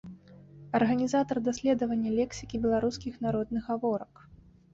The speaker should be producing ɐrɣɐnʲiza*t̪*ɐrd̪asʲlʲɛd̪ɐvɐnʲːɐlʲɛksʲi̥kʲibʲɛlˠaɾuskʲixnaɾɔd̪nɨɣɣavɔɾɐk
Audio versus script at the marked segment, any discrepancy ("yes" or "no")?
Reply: no